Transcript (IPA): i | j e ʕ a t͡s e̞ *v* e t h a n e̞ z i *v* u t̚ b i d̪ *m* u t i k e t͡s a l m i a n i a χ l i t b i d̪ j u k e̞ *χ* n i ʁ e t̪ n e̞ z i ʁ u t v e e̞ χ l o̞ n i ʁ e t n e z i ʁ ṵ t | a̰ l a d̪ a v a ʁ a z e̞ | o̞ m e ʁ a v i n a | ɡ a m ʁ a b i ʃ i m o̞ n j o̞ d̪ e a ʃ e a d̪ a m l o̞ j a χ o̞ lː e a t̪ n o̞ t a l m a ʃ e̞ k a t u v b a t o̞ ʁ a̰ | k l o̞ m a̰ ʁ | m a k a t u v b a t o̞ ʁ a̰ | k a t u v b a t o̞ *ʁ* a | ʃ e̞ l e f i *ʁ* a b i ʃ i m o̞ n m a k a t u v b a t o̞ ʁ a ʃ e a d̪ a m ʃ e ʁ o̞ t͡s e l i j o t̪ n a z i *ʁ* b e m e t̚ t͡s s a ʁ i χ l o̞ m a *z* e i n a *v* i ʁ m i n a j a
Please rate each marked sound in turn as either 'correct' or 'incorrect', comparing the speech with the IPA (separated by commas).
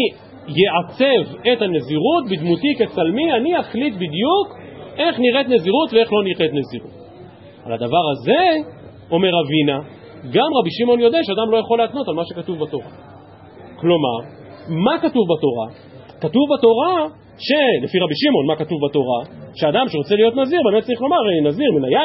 correct, incorrect, correct, correct, correct, correct, correct, incorrect, incorrect